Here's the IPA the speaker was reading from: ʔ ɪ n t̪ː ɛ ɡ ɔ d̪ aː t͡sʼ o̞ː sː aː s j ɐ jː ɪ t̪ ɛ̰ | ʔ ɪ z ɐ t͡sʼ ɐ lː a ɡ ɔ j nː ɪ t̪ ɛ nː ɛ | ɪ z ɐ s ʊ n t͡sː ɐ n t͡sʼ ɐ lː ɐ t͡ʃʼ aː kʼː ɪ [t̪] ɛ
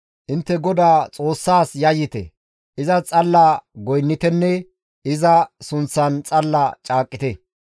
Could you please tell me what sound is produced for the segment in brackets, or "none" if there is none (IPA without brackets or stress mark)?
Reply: t̪